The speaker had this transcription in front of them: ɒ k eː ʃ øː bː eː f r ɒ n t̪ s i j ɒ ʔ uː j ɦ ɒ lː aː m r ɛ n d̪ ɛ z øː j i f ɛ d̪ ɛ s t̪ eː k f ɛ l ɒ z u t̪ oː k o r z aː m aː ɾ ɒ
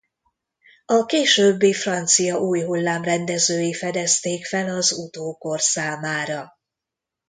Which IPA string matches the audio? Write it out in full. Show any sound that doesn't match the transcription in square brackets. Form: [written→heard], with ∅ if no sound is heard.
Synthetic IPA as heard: ɒ k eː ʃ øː bː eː f r ɒ n t̪ s i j ɒ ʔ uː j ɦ [ɒ→u] lː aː m r ɛ n d̪ ɛ z øː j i f ɛ d̪ ɛ s t̪ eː k f ɛ l ɒ z u t̪ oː k o r [z→s] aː m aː ɾ ɒ